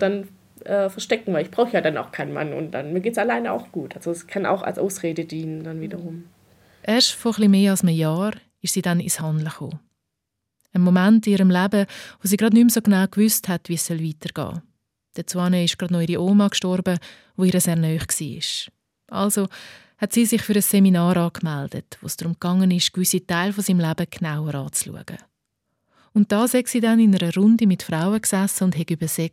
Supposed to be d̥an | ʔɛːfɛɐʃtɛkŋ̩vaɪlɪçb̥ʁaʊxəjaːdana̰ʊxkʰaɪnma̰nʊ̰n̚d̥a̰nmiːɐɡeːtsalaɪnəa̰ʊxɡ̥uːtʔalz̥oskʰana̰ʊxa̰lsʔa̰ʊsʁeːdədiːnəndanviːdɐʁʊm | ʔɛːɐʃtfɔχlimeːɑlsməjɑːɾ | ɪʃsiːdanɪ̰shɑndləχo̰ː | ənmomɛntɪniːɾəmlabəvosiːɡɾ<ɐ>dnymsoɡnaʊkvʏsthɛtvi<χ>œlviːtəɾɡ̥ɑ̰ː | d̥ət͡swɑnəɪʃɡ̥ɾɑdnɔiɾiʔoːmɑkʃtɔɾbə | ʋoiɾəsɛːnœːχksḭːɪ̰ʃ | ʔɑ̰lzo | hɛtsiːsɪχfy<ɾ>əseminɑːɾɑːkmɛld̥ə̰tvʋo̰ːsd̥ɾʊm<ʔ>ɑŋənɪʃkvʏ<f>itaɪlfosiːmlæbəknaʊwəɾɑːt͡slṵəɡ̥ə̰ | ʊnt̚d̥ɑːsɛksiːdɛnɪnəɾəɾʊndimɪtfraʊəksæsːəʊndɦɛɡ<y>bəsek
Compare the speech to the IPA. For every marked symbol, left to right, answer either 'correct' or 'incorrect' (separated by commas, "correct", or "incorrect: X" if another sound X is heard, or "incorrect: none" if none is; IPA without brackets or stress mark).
incorrect: ɑ, incorrect: s, correct, incorrect: k, incorrect: s, correct